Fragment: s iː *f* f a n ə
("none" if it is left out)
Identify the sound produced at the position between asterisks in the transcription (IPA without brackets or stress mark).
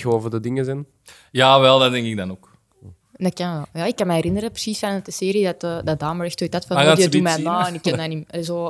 s